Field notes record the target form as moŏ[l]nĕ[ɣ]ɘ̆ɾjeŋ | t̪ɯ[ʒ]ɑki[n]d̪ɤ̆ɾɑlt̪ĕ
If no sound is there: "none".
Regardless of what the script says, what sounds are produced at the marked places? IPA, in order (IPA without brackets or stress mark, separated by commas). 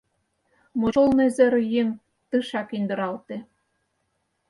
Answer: l, z, ʃ, n